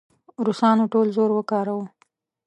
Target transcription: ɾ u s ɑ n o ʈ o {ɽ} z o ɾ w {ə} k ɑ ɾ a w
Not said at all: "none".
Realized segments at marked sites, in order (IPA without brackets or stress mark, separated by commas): l, ə